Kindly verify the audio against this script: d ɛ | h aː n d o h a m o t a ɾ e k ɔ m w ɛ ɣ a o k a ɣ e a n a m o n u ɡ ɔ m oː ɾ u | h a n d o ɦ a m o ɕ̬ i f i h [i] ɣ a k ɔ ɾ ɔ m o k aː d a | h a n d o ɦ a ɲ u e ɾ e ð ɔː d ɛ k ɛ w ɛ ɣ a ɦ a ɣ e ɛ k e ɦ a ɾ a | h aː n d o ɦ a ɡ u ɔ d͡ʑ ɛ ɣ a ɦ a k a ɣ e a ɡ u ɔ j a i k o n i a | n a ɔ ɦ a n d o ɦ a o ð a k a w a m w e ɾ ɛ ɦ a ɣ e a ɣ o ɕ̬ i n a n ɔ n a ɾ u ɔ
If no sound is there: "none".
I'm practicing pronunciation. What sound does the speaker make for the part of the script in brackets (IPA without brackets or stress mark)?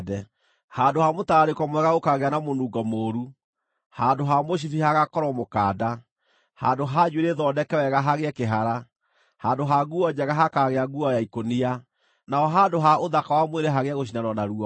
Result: a